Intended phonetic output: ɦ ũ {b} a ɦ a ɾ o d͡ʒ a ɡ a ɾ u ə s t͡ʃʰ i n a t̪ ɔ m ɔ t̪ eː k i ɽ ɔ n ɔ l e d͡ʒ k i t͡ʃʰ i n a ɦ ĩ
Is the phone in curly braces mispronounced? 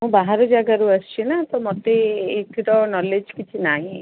no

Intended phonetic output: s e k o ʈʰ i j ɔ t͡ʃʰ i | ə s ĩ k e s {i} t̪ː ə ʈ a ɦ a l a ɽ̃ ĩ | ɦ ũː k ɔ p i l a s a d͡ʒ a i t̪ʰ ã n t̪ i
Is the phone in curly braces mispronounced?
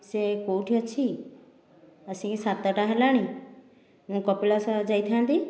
yes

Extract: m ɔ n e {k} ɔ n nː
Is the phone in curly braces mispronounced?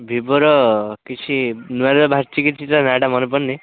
yes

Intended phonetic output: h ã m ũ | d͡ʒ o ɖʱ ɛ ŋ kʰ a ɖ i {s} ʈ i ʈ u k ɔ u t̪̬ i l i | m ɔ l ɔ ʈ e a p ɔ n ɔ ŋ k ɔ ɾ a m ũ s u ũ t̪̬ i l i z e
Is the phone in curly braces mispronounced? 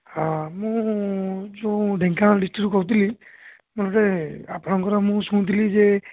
no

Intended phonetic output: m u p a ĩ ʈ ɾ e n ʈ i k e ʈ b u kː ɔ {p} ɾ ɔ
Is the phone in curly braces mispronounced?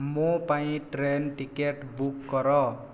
yes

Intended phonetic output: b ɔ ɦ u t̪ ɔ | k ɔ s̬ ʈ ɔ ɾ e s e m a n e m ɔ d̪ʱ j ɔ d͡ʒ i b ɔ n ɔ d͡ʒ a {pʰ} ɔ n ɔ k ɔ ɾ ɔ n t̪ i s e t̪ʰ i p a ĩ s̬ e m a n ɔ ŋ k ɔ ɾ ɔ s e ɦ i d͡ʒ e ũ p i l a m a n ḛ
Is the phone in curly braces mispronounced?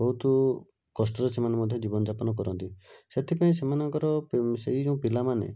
yes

